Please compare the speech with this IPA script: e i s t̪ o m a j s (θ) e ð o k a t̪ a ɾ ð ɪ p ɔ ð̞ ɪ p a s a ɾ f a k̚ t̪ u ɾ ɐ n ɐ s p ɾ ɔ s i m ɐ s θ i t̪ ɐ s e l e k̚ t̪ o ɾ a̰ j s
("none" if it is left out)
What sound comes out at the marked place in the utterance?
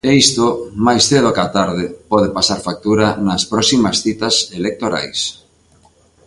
θ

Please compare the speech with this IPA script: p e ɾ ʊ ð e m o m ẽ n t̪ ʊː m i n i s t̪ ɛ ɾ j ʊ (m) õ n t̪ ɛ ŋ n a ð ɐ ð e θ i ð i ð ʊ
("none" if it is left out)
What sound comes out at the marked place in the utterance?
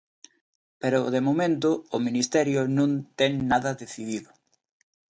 n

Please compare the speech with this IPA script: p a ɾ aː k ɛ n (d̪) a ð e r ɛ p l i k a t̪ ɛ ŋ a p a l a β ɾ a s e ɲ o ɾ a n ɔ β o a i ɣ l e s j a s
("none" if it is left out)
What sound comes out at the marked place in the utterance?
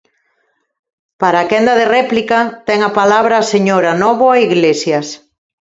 d̪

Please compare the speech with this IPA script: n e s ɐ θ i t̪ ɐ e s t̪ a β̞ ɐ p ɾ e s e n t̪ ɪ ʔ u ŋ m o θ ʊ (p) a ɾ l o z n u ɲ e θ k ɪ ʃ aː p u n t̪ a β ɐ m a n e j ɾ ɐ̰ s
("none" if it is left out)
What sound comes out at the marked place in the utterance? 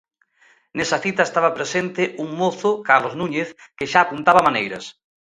k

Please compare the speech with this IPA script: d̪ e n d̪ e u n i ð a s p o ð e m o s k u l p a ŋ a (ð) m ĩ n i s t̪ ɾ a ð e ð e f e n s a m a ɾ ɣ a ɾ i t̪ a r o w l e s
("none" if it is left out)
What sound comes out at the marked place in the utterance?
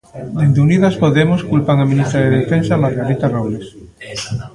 none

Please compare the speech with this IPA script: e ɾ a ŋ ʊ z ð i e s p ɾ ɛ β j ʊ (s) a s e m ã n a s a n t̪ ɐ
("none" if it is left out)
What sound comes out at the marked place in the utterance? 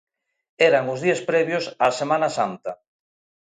s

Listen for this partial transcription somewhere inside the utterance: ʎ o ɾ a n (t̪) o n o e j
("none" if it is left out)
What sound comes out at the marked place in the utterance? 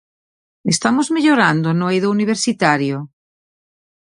d̪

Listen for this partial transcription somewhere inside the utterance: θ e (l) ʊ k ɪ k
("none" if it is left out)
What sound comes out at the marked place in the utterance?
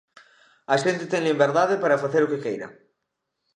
ɾ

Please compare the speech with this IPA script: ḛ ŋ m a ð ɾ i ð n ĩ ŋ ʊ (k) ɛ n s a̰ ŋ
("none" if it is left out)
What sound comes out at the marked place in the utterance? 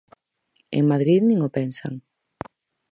p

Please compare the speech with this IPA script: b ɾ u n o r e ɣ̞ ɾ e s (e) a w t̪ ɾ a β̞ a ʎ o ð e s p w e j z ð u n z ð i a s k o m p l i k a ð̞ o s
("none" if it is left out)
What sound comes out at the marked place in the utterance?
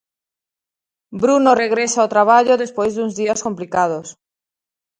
a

